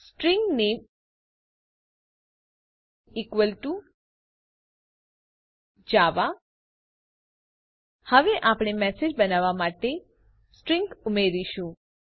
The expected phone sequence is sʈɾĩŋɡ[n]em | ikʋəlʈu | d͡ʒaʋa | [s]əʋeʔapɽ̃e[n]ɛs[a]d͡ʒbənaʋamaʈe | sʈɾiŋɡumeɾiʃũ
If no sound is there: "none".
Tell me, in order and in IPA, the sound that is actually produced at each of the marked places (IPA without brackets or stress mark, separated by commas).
n, h, m, e